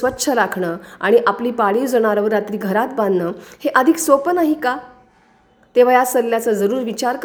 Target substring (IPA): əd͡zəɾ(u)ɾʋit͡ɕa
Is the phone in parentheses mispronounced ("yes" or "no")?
yes